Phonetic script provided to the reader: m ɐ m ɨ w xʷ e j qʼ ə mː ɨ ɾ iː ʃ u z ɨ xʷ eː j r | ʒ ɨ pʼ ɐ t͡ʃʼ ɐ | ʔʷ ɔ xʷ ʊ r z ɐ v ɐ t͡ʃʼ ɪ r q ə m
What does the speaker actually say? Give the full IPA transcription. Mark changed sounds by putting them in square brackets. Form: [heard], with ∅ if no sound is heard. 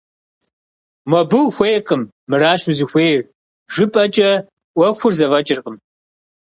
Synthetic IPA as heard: m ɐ [b] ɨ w xʷ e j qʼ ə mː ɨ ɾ [aː] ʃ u z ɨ xʷ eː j r | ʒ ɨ pʼ ɐ t͡ʃʼ ɐ | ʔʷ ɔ xʷ ʊ r z ɐ v ɐ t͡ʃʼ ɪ r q ə m